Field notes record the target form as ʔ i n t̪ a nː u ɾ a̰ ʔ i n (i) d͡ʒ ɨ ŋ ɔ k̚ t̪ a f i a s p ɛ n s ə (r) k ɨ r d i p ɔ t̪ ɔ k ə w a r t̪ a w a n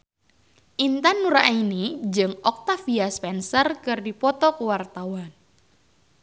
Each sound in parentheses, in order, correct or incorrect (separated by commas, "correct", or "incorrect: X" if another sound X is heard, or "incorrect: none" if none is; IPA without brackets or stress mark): correct, correct